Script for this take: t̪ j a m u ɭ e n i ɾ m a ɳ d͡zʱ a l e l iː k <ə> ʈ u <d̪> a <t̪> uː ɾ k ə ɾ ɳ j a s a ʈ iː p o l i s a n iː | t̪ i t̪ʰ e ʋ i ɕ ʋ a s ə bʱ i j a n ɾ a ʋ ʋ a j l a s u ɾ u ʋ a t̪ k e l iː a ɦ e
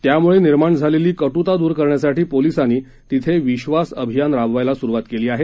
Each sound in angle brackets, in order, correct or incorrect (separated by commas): correct, incorrect, incorrect